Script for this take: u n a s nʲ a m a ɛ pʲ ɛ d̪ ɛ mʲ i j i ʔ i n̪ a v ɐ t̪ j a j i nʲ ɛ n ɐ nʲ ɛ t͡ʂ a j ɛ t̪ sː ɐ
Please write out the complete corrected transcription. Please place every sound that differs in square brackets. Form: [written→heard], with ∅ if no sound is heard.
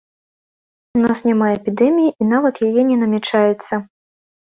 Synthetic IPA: u n a s nʲ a m a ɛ pʲ [ɛ→i] d̪ ɛ mʲ i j i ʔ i n̪ a v ɐ t̪ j a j [i→ɛ] nʲ ɛ n ɐ [nʲ→mʲ] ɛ t͡ʂ a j ɛ t̪ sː ɐ